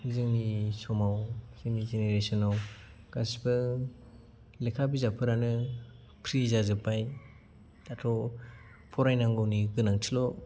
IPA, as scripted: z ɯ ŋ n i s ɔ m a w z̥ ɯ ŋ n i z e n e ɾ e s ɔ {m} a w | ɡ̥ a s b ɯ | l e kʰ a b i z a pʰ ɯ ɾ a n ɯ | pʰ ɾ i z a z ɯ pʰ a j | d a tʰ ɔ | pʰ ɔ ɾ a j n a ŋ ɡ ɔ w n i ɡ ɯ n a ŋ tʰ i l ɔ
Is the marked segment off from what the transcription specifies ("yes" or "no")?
yes